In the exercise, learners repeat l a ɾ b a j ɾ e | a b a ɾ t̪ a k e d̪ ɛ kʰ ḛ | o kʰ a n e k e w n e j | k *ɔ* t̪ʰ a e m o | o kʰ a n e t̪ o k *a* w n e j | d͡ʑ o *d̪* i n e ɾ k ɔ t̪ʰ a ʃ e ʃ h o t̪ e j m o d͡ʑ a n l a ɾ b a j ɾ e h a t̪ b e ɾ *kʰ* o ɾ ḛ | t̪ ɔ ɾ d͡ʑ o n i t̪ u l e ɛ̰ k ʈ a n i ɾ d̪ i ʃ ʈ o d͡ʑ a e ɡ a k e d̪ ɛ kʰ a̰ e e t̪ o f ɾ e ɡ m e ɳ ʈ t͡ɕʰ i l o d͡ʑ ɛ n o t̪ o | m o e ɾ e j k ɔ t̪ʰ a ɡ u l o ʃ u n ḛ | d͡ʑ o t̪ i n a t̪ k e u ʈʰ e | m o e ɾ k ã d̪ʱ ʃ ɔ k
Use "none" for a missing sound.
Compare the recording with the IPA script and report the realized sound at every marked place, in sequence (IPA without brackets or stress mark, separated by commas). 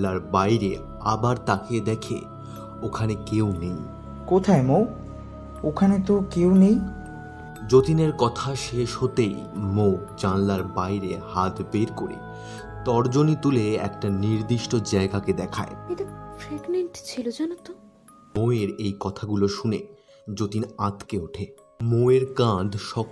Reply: o, e, t̪, k